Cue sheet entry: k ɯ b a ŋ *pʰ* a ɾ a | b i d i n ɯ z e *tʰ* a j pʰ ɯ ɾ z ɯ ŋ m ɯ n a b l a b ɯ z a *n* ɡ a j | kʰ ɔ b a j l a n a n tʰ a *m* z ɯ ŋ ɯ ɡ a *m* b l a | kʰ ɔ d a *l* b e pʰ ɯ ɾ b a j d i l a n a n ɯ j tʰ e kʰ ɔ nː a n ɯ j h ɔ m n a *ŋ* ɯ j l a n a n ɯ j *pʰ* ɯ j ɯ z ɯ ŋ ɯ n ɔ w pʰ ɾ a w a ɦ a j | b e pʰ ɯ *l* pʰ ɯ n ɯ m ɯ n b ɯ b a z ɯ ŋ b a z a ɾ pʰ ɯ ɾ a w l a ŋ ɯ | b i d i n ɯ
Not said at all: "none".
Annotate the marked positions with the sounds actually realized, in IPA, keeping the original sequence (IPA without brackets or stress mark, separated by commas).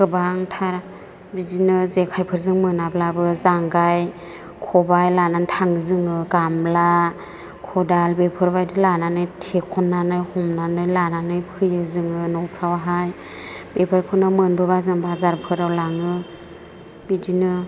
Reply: tʰ, kʰ, ŋ, ŋ, m, l, n, pʰ, ɾ